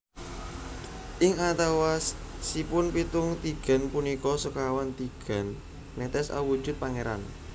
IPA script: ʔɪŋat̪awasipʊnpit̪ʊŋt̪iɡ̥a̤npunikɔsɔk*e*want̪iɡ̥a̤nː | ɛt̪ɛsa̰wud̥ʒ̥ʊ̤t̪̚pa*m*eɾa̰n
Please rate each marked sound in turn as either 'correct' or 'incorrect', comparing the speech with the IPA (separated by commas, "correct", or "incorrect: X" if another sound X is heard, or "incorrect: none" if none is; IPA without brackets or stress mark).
incorrect: a, incorrect: ŋ